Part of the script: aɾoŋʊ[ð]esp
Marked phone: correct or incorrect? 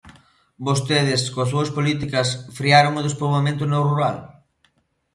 correct